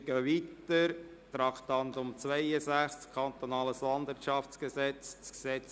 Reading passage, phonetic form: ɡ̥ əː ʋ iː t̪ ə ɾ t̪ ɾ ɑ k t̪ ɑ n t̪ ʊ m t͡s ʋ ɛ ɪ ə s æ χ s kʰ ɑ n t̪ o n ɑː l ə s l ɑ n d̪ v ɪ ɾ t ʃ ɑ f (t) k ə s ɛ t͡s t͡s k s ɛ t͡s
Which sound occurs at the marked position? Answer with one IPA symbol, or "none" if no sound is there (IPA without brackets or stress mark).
t͡s